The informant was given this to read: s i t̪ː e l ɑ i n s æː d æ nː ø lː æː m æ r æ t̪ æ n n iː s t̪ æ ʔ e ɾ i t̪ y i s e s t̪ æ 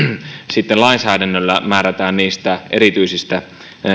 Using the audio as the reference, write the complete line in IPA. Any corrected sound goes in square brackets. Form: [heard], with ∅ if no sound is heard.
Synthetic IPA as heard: s i t̪ː e l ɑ i n s æː d æ nː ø lː [æ] m [æː] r æ t̪ [æː] n n iː s t̪ æ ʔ e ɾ i t̪ y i s [i] s t̪ æ